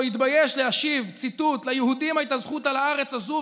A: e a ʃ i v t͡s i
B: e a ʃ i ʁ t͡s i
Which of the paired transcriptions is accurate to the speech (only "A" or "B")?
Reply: A